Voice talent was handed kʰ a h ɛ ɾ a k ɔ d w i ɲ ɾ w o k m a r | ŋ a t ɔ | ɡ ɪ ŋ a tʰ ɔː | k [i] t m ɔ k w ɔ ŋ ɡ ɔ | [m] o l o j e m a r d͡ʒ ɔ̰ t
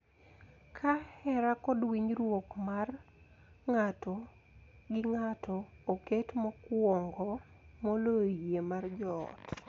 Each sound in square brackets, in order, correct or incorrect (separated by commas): incorrect, correct